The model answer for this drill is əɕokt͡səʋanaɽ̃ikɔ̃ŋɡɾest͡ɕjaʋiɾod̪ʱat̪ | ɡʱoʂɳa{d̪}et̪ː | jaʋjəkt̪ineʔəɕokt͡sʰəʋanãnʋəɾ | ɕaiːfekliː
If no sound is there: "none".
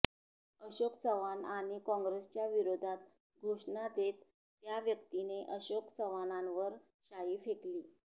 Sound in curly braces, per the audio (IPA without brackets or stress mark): d̪